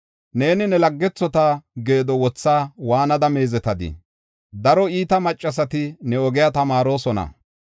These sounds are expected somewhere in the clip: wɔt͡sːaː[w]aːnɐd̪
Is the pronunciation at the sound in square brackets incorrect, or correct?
correct